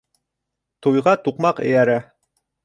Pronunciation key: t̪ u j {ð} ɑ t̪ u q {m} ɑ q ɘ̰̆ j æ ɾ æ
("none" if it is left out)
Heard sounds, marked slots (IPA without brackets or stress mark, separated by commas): ʁ, m